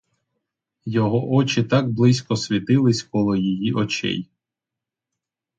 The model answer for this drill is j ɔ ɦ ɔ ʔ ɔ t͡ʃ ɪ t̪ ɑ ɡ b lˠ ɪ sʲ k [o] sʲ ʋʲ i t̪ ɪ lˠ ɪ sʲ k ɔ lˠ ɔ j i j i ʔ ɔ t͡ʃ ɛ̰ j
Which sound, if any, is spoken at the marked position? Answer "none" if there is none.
ɔ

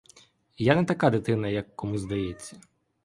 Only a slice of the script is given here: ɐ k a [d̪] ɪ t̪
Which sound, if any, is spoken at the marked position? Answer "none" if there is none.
d̪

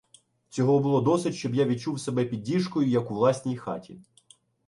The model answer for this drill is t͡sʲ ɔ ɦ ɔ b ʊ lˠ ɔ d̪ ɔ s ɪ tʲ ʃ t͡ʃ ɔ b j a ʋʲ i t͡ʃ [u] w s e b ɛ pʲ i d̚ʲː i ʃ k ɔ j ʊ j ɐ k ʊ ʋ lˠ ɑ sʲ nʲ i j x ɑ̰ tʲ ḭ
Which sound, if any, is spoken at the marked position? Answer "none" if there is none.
u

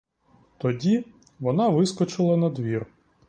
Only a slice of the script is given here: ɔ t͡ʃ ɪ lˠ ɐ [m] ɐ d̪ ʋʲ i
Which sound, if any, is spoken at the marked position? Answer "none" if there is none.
n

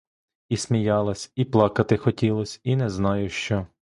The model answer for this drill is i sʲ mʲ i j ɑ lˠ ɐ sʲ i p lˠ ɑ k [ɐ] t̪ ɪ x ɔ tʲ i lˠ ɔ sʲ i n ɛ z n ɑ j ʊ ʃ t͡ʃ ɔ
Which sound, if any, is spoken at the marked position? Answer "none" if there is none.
ɐ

